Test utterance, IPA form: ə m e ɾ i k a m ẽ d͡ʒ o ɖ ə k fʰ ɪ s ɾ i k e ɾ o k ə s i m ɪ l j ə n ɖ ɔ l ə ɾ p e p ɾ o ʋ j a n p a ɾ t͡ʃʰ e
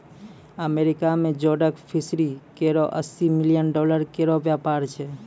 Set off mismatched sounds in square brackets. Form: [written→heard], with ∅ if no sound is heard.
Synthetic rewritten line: ə m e ɾ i k a m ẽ d͡ʒ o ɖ ə k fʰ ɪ s ɾ i k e ɾ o [k→ʔ] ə s i m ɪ l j ə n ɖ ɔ l ə ɾ [p→k] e [p→∅] ɾ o ʋ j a [n→∅] p a ɾ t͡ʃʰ e